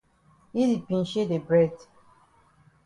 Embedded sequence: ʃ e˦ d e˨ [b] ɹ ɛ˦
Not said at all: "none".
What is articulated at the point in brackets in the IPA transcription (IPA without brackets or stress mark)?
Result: b